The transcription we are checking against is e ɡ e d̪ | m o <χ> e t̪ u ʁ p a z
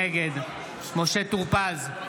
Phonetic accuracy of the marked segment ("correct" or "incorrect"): incorrect